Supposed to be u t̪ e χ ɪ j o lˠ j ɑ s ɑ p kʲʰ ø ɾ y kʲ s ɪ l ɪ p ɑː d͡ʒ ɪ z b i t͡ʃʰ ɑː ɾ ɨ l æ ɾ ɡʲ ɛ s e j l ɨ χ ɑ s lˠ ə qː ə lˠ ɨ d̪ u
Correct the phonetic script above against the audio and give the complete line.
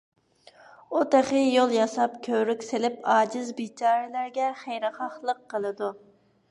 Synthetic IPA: u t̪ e χ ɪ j o lˠ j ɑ s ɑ p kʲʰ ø ɾ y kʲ s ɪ l ɪ p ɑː d͡ʒ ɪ z b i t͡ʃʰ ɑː ɾ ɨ l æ ɾ ɡʲ ɛ χ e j ɾ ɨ χ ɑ χ lˠ ə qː ə lˠ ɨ d̪ u